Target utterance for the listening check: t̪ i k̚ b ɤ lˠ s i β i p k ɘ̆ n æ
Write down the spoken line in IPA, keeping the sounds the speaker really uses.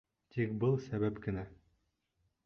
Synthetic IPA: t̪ i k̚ b ɤ lˠ s æ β æ p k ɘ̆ n æ